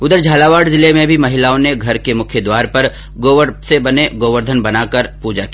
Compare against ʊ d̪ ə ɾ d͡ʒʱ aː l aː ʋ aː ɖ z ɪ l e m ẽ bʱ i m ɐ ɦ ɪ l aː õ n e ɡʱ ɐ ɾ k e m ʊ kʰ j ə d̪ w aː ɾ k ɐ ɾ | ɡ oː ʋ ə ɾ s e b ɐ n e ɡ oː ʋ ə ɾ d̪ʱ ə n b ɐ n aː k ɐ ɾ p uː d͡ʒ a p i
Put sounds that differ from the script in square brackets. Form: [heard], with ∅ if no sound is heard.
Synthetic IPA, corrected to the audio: ʊ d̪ ə ɾ d͡ʒʱ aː l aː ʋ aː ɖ z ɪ l e m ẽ bʱ i m ɐ ɦ ɪ l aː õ n e ɡʱ ɐ ɾ k e m ʊ kʰ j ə d̪ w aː ɾ [p] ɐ ɾ | ɡ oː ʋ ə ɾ s e b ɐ n e ɡ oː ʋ ə ɾ d̪ʱ ə n b ɐ n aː k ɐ ɾ p uː d͡ʒ a [k] i